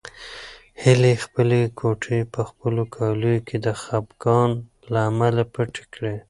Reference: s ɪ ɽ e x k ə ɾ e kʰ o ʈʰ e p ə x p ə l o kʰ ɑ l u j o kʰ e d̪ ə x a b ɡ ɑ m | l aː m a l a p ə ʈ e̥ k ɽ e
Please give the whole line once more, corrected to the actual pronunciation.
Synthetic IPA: h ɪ l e x p ə l e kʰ o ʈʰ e p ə x p ə l o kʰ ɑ l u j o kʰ e d̪ ə x a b ɡ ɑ n | l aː m a l a p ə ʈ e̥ k ɽ e